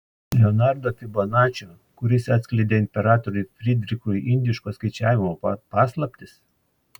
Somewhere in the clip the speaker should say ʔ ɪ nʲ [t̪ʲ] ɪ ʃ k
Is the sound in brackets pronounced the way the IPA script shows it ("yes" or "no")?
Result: no